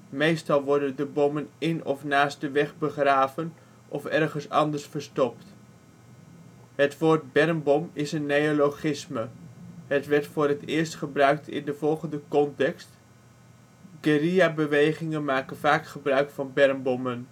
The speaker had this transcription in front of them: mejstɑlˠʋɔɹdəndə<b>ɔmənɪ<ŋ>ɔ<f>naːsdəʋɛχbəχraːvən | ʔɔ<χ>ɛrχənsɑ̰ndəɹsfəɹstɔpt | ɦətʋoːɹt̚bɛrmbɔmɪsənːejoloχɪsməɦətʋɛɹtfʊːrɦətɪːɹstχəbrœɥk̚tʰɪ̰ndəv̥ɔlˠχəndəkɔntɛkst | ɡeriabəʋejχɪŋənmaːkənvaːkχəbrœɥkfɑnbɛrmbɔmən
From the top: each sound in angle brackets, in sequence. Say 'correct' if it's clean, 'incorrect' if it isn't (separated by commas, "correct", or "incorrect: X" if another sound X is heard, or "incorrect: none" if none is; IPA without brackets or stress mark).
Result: correct, incorrect: n, correct, incorrect: f